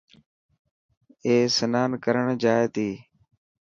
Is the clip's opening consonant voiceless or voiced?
voiceless